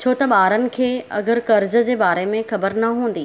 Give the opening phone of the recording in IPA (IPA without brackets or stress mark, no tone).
t͡ɕʰ